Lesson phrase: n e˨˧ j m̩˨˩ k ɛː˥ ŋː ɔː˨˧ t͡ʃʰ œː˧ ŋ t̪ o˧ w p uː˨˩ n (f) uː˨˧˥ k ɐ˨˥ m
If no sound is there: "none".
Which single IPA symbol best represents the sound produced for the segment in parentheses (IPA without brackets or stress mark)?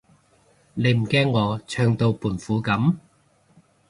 f